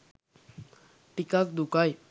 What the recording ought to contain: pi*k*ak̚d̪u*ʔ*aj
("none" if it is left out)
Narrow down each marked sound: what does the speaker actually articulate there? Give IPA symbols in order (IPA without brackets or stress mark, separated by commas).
k, k